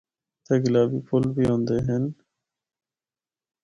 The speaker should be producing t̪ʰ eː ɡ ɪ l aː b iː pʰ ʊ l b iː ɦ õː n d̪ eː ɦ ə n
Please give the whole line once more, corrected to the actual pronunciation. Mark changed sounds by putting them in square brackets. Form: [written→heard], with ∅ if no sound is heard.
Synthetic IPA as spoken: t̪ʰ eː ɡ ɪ l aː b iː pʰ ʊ l b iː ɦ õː n d̪ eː ɦ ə n